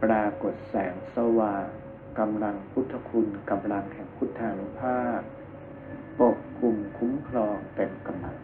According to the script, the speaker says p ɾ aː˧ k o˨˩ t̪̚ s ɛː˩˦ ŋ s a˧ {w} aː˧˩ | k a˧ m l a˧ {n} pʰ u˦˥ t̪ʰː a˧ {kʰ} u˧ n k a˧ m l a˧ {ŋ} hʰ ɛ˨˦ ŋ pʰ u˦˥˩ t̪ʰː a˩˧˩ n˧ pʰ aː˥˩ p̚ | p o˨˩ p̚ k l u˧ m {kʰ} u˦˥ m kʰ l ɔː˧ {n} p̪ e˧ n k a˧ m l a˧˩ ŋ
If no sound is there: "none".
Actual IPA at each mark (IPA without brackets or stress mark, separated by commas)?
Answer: w, ŋ, kʰ, ŋ, kʰ, ŋ